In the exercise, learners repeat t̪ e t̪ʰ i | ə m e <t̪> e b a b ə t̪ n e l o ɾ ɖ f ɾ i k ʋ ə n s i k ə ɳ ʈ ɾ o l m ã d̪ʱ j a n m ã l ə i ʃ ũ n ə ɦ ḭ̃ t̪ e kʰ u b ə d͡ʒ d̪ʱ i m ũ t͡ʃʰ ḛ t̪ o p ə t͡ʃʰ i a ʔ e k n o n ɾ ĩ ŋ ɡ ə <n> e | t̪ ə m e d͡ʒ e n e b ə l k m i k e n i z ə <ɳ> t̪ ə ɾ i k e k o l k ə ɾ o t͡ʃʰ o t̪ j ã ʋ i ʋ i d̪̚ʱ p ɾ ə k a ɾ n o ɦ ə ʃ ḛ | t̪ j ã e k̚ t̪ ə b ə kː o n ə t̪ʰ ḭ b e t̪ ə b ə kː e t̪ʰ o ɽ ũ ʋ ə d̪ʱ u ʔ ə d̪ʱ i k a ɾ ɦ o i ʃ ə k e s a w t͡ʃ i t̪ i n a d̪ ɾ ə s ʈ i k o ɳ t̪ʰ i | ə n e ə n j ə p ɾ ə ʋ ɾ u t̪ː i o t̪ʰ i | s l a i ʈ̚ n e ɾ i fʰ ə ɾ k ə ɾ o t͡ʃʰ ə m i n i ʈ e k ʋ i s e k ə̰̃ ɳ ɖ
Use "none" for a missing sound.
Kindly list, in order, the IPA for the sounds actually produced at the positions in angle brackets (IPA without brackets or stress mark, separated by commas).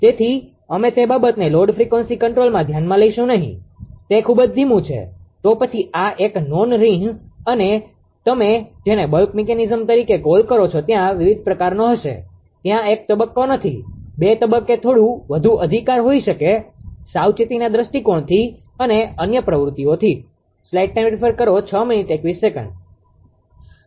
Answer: t̪, n, m